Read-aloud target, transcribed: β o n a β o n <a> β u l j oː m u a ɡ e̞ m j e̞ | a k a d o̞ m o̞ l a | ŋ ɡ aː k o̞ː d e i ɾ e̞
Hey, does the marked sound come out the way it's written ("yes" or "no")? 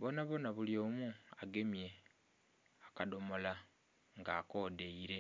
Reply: yes